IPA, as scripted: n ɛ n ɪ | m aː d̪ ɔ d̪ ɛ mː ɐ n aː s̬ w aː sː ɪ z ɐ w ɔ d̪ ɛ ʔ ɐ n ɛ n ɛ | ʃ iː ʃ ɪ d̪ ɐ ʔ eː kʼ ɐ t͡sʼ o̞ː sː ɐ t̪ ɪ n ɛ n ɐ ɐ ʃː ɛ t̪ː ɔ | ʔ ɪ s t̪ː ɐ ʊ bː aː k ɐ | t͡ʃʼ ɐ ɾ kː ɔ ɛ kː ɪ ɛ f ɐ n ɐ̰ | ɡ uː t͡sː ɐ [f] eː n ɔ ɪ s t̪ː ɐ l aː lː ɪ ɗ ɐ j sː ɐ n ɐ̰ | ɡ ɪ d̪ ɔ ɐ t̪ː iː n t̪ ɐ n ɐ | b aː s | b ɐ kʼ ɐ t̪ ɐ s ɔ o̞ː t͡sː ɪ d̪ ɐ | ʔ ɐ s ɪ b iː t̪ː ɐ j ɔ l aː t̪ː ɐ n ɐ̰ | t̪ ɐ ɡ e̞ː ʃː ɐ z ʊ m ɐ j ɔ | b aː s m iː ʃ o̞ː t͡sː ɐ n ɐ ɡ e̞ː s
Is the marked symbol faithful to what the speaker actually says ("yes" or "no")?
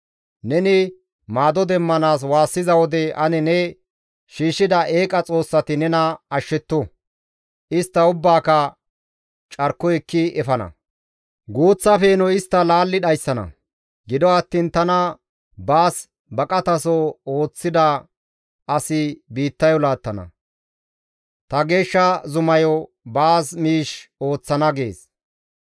yes